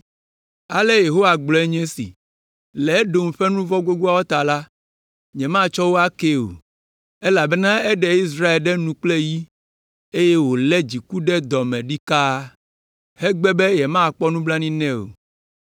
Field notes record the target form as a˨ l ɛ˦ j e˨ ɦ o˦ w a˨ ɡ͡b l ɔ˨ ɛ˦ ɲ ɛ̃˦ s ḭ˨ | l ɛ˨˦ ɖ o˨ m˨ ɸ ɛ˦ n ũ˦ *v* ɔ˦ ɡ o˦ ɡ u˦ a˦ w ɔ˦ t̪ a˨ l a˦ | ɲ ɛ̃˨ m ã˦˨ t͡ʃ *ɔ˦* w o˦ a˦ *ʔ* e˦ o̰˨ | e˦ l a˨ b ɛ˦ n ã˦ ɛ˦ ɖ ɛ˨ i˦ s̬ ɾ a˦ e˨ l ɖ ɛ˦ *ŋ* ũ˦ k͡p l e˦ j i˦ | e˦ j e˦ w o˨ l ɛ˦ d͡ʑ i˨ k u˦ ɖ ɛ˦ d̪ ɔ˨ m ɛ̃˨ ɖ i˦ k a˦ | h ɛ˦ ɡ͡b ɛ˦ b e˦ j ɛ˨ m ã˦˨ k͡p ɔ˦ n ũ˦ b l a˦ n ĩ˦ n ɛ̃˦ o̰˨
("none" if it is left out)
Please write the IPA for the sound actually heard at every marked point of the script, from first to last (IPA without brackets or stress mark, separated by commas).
v, ɔ˦, k, n